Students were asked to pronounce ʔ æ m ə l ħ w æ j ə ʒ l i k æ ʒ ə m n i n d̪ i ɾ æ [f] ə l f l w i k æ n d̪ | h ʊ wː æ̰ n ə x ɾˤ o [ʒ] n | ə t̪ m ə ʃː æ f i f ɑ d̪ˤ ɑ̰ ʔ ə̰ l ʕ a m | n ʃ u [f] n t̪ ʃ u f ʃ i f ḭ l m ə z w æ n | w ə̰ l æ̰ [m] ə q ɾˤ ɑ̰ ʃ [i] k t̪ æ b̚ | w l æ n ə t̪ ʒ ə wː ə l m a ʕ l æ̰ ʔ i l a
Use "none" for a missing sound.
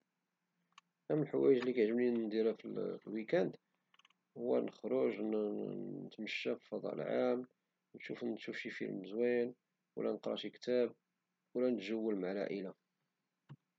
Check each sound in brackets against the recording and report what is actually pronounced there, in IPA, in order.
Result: f, ʒ, f, n, i

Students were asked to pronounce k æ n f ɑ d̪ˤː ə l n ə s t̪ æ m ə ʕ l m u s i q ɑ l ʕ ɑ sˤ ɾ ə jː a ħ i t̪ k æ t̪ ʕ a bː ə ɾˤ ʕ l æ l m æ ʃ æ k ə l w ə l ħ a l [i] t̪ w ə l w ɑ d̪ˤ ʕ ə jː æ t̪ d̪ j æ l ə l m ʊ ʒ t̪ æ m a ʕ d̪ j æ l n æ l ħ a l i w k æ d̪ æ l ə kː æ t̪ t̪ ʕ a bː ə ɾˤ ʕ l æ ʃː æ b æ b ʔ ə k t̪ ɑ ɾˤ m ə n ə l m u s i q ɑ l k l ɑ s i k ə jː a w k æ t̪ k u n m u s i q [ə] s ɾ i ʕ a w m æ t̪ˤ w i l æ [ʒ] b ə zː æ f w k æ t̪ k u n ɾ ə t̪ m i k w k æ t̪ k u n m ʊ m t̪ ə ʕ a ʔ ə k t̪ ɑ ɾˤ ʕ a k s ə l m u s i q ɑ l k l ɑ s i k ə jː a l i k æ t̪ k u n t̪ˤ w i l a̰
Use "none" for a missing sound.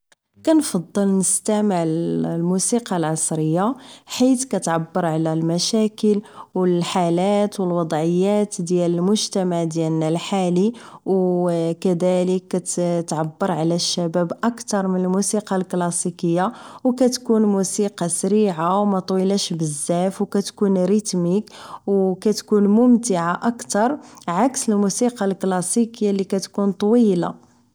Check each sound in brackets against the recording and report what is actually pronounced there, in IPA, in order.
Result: æ, ɑ, ʃ

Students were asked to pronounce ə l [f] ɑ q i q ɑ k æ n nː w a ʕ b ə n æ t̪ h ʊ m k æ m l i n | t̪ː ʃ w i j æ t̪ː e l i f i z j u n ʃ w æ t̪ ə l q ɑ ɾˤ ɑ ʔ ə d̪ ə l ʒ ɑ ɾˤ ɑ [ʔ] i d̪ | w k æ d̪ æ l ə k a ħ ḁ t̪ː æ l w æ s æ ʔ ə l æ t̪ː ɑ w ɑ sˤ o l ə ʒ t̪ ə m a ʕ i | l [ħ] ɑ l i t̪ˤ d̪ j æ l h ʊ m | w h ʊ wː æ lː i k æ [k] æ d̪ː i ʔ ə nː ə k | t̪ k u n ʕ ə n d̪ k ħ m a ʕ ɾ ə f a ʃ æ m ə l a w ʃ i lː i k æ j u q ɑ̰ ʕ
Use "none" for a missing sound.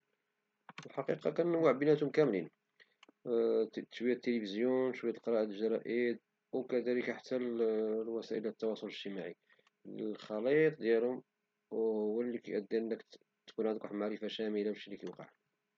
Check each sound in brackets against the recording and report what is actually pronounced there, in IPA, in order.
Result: ħ, ʔ, x, ʔ

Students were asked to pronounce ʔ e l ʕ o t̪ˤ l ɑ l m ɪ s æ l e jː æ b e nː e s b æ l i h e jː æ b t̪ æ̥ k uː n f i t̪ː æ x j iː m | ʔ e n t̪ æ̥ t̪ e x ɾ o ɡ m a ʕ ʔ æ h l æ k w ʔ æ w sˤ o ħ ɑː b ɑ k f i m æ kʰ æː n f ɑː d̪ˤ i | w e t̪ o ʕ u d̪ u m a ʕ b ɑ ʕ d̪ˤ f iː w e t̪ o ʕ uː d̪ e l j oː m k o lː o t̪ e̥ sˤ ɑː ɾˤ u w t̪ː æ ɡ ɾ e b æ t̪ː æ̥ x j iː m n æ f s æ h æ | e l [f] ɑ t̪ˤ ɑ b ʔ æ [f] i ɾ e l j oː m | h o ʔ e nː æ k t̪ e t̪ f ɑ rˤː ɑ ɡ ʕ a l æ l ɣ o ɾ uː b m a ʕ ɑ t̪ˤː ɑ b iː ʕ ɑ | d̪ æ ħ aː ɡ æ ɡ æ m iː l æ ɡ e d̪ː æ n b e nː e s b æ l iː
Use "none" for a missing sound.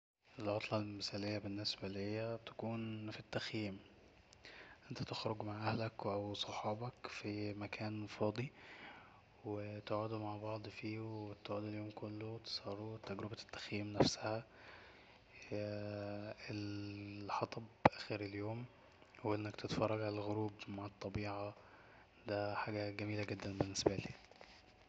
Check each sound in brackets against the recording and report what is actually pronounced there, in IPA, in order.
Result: ħ, x

